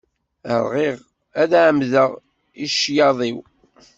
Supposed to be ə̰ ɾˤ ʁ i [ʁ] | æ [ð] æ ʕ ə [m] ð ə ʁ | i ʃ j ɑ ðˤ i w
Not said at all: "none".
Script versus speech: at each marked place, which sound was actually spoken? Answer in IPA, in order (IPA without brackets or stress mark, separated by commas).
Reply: ʁ, ð, m